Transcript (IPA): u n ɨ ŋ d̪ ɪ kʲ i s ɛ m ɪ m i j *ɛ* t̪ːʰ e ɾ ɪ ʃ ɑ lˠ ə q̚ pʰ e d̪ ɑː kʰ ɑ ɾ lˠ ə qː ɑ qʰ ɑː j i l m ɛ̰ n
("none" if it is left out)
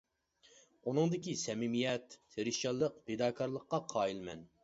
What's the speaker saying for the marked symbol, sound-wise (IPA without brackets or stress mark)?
ɛ